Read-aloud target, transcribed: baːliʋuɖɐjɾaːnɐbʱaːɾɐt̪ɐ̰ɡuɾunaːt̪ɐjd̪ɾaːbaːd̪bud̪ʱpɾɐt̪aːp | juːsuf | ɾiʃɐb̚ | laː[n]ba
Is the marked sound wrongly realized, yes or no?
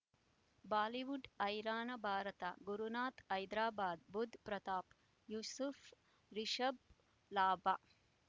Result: yes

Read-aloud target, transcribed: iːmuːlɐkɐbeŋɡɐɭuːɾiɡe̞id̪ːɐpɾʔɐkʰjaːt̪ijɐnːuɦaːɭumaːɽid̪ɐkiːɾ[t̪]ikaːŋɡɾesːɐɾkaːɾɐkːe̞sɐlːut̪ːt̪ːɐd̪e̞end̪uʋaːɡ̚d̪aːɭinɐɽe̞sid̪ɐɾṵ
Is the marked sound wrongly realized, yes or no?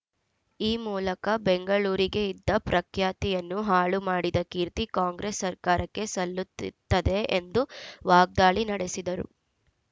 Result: no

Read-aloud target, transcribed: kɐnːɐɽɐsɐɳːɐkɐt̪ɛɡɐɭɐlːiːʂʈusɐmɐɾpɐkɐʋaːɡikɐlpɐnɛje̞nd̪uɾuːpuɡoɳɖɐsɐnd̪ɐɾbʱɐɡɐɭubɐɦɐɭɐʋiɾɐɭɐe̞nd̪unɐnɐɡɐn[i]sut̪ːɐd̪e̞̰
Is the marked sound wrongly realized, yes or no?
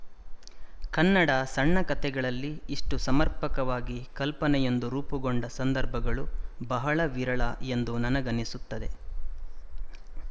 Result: no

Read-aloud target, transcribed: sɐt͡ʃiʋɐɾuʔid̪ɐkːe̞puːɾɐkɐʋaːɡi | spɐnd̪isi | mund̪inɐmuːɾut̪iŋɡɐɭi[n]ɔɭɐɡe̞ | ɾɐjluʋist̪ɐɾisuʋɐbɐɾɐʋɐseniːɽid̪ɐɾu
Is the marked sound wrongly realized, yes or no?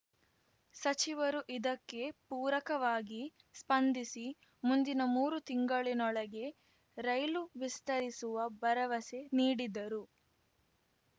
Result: no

